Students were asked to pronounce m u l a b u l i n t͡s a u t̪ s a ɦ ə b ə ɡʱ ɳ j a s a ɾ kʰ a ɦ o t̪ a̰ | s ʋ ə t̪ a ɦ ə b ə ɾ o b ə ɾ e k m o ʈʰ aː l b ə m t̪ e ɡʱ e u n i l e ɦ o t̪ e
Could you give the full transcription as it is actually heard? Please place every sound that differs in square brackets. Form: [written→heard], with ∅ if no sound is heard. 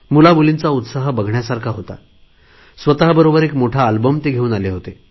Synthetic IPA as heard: m u l a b u l i n t͡s a u t̪ s a ɦ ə b ə ɡʱ ɳ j a s a ɾ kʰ a ɦ o t̪ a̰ | s ʋ ə t̪ a ɦ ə b ə ɾ o b ə ɾ e k m o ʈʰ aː l b ə m t̪ e ɡʱ e [u→uː] n [i→a] l e ɦ o t̪ e